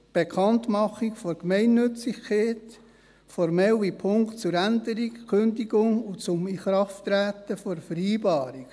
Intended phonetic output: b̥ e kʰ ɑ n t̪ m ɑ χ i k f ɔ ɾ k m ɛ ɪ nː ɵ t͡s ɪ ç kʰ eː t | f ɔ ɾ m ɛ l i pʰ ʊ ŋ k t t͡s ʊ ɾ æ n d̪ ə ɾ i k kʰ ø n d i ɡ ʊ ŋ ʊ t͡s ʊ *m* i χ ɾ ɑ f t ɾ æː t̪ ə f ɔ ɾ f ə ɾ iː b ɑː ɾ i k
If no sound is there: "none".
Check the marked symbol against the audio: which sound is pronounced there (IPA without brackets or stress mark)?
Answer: m